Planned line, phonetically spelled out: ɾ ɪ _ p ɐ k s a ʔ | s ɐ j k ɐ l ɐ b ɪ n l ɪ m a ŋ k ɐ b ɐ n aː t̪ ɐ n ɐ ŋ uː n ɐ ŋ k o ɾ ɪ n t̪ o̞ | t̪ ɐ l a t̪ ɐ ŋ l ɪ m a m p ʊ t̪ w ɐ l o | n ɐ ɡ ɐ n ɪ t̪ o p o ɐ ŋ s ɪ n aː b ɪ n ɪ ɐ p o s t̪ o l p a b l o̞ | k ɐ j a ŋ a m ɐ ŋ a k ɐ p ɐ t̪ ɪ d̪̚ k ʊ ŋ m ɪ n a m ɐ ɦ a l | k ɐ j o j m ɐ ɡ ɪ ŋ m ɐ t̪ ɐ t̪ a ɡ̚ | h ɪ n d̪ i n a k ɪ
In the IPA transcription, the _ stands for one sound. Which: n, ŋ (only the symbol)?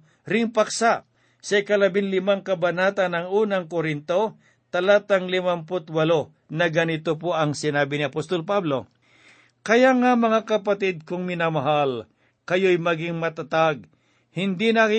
ŋ